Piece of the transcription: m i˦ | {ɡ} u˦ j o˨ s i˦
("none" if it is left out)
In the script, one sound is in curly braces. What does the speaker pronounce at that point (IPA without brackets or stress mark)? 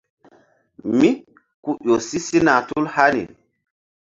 k